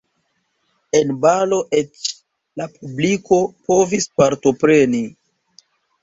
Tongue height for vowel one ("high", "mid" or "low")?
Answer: mid